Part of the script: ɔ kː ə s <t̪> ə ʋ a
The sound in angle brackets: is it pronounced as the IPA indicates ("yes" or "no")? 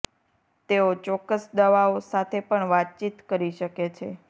no